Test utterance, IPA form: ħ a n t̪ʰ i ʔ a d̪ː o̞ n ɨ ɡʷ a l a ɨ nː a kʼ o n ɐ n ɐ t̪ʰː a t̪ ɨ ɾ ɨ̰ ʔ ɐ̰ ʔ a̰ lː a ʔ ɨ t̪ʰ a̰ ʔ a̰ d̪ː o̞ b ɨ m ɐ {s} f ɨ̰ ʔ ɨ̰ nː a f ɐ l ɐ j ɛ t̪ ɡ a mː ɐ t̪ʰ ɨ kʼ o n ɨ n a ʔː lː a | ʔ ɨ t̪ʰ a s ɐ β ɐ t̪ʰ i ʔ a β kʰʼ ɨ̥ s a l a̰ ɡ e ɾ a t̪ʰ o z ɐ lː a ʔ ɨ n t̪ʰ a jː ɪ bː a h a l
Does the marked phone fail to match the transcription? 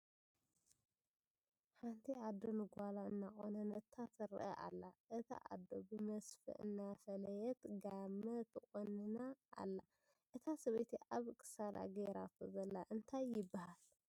no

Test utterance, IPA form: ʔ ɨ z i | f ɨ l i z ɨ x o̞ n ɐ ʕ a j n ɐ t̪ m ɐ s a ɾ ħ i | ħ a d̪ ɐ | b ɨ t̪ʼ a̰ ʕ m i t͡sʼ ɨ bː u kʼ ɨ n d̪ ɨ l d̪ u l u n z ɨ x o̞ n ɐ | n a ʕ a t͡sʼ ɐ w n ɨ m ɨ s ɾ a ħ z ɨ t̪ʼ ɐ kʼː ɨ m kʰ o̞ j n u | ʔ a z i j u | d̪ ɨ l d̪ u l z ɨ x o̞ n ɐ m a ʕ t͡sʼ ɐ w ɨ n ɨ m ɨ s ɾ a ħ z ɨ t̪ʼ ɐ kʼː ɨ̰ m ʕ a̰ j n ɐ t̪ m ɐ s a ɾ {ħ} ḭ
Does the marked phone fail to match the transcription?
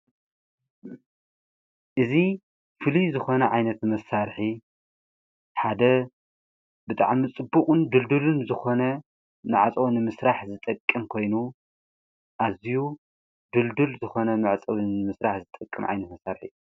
no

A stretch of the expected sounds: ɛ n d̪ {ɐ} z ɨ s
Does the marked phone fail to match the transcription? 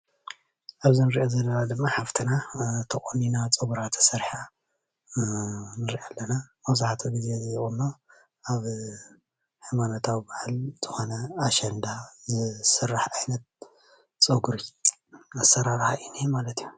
yes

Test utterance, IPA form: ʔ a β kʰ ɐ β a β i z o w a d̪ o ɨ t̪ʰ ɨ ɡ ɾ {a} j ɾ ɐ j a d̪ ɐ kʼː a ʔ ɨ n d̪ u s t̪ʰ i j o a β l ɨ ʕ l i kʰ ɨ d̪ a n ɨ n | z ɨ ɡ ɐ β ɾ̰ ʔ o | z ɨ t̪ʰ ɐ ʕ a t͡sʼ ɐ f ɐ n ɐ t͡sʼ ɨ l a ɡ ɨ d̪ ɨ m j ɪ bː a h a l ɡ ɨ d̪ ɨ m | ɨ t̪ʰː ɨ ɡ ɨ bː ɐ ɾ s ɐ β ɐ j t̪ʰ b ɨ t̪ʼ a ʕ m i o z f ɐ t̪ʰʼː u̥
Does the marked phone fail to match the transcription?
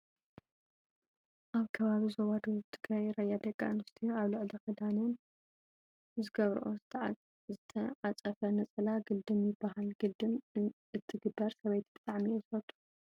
no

